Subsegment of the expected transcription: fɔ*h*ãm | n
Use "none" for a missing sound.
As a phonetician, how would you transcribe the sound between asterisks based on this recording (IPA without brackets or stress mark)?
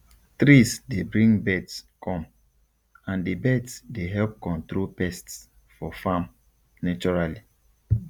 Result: f